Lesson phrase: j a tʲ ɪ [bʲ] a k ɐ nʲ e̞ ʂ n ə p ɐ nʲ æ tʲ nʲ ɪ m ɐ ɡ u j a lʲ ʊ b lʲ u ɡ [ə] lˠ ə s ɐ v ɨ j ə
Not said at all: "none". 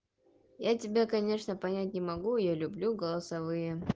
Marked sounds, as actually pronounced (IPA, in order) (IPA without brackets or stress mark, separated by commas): bʲ, ə